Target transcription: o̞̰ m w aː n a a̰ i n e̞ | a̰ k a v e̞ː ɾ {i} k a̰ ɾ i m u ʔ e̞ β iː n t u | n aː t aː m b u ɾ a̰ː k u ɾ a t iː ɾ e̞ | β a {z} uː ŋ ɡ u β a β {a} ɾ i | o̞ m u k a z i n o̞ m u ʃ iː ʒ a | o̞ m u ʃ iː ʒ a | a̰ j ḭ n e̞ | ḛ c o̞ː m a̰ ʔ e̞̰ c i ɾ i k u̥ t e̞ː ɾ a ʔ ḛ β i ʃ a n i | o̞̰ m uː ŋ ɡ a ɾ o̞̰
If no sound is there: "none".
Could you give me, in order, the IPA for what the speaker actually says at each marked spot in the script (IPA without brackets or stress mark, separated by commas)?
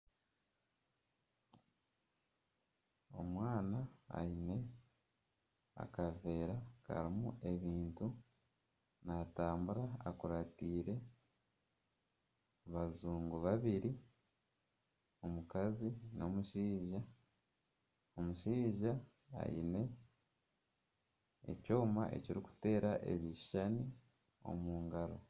a, z, i